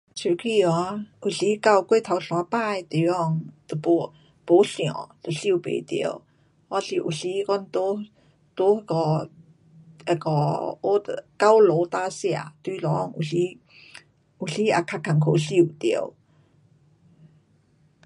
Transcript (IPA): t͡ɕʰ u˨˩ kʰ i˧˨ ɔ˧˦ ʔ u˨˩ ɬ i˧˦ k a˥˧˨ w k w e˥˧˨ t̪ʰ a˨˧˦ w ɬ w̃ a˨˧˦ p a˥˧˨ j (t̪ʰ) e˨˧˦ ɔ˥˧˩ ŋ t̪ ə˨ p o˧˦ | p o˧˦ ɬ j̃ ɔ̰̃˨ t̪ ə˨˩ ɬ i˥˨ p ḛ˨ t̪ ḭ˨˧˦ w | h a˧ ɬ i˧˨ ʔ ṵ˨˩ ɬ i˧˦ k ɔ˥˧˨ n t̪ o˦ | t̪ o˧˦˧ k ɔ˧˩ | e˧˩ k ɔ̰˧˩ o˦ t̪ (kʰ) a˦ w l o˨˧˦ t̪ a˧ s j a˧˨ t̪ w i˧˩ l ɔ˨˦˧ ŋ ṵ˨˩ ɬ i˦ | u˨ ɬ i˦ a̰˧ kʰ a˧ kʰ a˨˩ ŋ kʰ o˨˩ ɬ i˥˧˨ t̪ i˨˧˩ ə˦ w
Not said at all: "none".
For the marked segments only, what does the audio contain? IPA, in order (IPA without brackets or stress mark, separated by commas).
t̪, k